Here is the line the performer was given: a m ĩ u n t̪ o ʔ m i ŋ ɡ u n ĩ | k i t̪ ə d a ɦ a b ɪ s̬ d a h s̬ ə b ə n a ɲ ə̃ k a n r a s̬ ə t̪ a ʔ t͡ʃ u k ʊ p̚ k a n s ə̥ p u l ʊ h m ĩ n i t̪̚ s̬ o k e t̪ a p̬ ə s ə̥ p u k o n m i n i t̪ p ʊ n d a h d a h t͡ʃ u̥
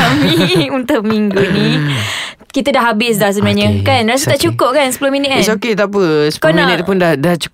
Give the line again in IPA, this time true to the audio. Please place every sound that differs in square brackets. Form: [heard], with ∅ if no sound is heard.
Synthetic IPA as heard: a m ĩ u n t̪ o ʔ m i ŋ ɡ u n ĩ | k i t̪ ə d a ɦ a b ɪ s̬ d a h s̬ ə b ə n a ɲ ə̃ k a n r a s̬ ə t̪ a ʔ t͡ʃ u k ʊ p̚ k a n s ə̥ p u l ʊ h m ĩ n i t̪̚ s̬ o k e t̪ a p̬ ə s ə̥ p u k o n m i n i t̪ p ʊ n d a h d a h t͡ʃ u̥